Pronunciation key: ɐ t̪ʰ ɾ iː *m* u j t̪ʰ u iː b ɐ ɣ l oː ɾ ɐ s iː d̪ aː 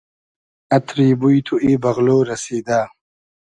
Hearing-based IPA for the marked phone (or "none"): b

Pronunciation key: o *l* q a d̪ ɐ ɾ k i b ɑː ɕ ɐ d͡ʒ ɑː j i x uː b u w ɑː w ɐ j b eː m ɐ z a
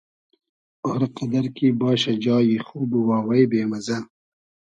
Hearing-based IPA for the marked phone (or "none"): ɾ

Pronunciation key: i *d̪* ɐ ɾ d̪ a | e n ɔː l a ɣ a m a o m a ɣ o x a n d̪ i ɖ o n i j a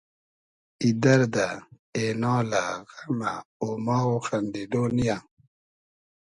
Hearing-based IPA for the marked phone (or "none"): d̪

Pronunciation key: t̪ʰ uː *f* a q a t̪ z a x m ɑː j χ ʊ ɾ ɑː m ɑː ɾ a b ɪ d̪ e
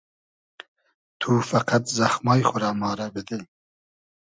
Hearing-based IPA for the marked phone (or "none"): f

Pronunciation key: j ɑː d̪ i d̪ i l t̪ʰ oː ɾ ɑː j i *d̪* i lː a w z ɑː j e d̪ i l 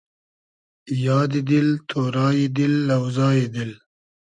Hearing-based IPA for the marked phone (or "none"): d̪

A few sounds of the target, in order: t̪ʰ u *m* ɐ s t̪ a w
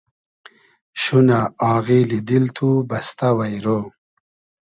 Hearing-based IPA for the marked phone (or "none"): b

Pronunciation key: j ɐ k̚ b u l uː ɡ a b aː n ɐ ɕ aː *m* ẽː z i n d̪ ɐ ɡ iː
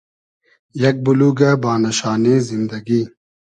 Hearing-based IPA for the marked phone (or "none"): n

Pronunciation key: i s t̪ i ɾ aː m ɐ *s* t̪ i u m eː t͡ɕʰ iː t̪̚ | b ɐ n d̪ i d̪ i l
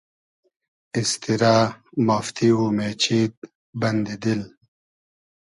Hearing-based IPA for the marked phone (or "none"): f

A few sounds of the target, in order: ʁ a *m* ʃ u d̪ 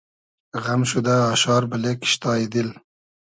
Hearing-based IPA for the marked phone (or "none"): m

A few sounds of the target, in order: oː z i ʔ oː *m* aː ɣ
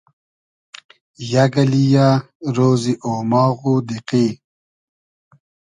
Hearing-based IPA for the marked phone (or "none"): m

